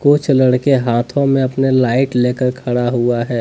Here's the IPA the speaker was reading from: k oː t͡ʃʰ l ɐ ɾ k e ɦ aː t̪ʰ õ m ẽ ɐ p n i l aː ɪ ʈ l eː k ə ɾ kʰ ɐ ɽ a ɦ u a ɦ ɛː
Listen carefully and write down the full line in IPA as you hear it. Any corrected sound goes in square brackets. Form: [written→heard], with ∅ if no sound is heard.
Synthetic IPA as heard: k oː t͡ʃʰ l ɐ [ɾ→ɽ] k e ɦ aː t̪ʰ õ m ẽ ɐ p n [i→e] l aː ɪ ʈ l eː k ə ɾ kʰ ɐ ɽ a ɦ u a ɦ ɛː